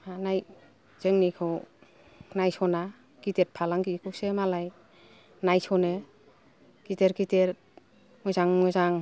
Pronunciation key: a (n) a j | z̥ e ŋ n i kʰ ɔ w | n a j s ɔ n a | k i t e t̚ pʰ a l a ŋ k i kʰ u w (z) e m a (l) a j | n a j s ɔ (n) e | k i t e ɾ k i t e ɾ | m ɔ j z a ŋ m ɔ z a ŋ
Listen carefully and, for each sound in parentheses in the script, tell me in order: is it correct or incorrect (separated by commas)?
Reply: correct, incorrect, correct, correct